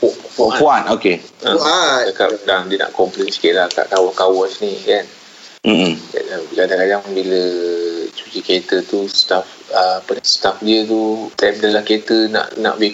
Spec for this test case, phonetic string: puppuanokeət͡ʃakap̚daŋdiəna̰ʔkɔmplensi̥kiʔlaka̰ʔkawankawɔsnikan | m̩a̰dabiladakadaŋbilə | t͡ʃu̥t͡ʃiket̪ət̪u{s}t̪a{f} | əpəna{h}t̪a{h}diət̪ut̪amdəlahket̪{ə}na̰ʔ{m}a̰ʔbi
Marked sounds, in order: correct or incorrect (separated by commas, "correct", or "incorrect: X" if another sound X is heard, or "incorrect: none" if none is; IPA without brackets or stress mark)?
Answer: correct, correct, incorrect: s, incorrect: f, correct, incorrect: n